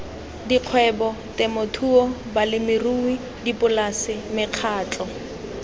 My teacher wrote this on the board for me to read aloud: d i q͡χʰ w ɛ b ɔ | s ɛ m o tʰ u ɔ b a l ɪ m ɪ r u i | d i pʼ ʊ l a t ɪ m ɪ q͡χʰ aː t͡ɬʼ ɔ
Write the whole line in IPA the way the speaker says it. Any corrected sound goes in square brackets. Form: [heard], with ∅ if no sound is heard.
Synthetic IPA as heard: d i q͡χʰ w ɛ b ɔ | [t] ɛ m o tʰ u ɔ b a l ɪ m ɪ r u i | d i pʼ ʊ l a [s] ɪ m ɪ q͡χʰ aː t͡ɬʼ ɔ

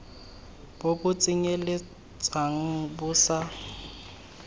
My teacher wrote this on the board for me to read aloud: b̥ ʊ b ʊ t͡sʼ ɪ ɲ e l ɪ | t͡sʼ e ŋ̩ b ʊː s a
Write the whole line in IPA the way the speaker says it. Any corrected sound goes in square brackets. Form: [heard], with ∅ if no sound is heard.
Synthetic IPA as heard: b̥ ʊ b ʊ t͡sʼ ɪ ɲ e l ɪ | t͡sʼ [a] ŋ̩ b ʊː s a

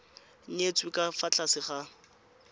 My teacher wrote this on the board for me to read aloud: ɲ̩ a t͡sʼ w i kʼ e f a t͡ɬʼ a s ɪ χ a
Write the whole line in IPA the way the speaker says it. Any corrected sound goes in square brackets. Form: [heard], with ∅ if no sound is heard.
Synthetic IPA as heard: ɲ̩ [e] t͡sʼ w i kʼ [a] f a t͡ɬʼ a s ɪ χ a

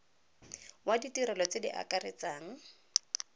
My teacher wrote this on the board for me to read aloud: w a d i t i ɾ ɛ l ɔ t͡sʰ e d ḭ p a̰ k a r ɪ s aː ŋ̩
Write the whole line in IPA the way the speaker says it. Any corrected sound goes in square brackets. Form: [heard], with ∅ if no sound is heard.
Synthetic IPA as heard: w a d i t i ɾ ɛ l ɔ [t͡s] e d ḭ [ʔ] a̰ k a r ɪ [t͡s] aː ŋ̩

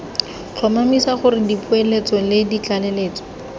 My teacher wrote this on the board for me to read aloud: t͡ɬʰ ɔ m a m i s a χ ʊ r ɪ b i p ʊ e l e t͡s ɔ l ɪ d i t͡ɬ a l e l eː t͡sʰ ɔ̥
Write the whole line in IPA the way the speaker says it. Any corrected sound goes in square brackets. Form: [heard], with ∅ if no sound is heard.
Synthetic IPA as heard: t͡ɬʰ ɔ m a m i s a χ ʊ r ɪ [d] i p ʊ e l e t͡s ɔ l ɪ d i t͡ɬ a l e l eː [t͡s] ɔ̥

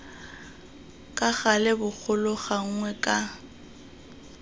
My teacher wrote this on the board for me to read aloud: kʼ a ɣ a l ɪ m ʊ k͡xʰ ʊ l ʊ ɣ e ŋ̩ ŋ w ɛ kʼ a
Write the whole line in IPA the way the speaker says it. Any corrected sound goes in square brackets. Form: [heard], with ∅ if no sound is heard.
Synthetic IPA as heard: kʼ a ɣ a l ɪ [b] ʊ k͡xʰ ʊ l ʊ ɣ [a] ŋ̩ ŋ w ɛ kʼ a

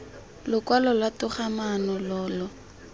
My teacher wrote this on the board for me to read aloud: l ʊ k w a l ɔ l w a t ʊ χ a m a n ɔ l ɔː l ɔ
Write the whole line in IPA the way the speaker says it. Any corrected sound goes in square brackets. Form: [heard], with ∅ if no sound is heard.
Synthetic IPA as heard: l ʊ k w a l ɔ l w a t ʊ χ a m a n ɔ l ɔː l ɔ

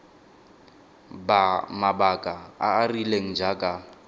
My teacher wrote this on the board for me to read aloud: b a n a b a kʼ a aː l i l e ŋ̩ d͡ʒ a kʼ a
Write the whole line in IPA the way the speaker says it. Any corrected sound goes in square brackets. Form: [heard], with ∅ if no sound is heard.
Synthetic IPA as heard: b a [m] a b a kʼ a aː [r] i l e ŋ̩ d͡ʒ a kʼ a

